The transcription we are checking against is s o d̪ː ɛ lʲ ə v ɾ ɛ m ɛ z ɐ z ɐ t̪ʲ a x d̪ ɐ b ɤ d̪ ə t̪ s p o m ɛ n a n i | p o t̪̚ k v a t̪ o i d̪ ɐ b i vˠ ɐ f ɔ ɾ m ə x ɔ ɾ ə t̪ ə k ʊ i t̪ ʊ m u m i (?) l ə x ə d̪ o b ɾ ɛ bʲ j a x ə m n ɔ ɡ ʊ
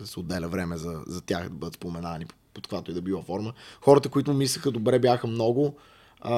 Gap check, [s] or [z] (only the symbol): s